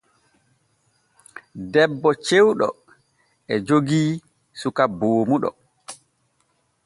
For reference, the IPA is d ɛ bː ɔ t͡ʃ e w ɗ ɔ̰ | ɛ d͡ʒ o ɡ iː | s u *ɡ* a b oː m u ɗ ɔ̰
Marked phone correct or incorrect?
incorrect